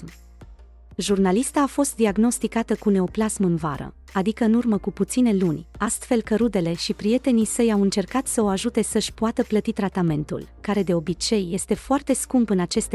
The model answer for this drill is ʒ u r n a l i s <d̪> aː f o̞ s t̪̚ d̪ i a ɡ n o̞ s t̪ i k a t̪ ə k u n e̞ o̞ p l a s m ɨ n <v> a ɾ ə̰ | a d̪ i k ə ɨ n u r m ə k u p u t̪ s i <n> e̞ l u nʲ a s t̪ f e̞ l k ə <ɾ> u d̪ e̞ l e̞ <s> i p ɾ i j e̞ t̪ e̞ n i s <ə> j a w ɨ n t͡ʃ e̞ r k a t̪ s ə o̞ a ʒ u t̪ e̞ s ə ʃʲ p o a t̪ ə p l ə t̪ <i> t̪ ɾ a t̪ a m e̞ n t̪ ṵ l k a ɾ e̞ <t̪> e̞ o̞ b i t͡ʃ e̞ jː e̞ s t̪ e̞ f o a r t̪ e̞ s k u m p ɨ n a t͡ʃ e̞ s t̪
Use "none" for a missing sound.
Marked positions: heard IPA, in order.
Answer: t̪, v, n, ɾ, ʃ, ə, i, d̪

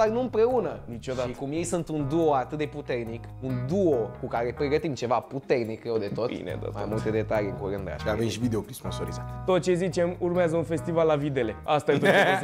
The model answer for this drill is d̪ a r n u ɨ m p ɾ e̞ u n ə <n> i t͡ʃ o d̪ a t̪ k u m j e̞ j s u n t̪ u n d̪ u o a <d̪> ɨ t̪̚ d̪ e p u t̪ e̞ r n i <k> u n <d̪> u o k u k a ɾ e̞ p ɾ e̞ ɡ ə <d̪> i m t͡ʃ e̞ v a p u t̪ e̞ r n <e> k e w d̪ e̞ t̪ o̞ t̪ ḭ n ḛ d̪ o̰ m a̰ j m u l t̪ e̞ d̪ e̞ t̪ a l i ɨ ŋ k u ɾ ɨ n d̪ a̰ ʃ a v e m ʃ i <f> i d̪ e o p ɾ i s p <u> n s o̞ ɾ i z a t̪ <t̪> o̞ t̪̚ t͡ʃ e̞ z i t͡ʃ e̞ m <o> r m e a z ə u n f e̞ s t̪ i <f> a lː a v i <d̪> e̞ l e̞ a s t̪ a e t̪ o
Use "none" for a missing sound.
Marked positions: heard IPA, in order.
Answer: n, t̪, k, d̪, t̪, i, v, o, t̪, u, v, d̪

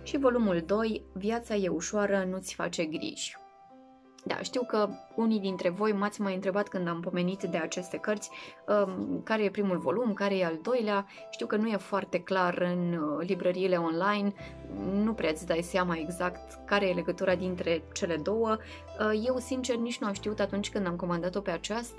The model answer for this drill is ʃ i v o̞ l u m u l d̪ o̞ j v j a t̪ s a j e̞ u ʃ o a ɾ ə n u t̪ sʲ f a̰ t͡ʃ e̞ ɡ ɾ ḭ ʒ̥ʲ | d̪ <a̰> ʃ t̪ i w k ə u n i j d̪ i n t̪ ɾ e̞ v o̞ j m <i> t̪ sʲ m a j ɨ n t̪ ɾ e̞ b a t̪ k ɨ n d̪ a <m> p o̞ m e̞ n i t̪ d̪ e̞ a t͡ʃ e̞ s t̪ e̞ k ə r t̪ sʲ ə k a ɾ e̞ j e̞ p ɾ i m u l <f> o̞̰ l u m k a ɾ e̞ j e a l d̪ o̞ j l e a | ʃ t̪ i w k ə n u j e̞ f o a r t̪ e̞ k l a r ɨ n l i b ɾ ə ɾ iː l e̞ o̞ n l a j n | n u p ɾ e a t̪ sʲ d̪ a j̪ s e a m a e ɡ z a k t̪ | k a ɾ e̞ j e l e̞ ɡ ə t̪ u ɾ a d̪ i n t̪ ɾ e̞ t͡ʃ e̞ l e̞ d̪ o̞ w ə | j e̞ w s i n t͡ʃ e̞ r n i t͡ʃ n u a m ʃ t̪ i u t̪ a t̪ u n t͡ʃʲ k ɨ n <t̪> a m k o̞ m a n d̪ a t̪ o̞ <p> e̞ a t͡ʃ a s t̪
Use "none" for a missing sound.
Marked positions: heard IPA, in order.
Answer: a̰, a, m, v, d̪, p

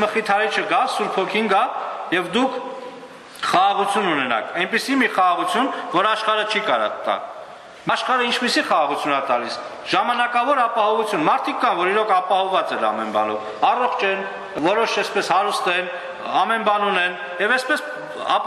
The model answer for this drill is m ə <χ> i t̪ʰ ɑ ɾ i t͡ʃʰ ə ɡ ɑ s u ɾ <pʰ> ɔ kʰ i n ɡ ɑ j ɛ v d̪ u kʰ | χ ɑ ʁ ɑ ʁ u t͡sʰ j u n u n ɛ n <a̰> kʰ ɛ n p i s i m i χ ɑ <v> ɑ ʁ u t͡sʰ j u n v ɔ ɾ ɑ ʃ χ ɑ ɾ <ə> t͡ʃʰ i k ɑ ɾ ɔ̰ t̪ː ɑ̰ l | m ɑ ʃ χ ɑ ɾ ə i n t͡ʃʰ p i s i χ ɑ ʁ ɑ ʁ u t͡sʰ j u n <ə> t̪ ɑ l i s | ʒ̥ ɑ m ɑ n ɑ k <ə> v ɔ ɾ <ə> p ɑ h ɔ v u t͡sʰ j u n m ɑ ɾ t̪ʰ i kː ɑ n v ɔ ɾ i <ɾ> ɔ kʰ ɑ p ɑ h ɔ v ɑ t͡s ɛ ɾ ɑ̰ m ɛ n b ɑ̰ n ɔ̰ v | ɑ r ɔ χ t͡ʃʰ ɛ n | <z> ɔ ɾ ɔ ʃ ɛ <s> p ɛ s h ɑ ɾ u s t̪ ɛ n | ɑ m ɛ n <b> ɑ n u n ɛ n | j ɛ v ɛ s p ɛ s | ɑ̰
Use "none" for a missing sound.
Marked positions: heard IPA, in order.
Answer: χ, pʰ, ɑ̰, ʁ, ə, ɑ, ɑ, ɑ, ɾ, v, s, b

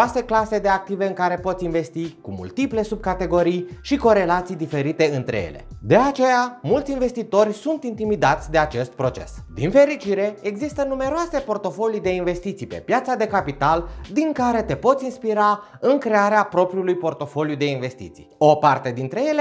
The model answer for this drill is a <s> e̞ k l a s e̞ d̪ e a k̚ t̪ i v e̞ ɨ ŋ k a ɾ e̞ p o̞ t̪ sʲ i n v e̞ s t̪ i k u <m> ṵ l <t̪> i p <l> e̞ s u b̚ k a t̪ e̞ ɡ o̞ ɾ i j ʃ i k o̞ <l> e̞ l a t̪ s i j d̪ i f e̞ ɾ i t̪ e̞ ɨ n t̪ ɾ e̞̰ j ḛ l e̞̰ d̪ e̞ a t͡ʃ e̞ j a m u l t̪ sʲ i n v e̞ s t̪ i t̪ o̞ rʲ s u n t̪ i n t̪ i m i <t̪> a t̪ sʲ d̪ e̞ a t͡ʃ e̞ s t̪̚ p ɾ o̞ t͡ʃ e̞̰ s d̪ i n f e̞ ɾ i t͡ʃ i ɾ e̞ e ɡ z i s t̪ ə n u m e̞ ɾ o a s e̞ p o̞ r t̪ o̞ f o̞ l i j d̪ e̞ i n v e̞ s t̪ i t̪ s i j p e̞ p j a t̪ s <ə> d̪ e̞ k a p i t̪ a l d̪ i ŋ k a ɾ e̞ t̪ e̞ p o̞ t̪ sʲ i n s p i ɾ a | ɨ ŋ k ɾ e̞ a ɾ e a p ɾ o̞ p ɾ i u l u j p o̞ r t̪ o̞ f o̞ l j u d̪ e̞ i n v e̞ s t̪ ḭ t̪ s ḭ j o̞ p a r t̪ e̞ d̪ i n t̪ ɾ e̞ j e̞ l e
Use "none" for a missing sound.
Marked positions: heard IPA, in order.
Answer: s, m, t̪, l, ɾ, d̪, a

